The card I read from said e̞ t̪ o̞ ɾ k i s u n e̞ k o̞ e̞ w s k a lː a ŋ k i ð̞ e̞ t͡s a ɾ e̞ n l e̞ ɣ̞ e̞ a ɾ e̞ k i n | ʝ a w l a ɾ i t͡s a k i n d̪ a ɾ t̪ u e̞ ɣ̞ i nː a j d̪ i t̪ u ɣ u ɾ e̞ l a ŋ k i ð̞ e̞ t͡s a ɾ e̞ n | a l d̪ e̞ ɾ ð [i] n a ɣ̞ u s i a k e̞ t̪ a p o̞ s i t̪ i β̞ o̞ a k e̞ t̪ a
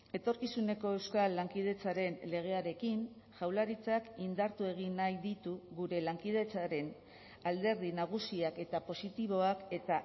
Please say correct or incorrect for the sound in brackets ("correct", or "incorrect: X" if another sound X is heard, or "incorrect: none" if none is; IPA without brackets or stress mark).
correct